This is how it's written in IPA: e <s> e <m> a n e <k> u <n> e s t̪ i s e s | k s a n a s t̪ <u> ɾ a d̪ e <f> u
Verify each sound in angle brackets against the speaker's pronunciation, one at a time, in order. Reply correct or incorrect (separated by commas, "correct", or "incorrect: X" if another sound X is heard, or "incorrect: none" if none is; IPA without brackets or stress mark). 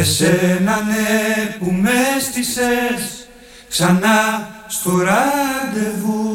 correct, incorrect: n, incorrect: p, incorrect: m, incorrect: o, incorrect: v